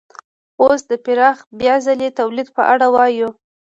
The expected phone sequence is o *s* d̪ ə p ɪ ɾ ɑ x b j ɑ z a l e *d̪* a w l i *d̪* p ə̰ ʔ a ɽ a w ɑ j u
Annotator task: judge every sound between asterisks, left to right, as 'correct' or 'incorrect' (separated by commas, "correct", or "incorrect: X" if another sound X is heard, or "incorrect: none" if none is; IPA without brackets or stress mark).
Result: correct, incorrect: t̪, correct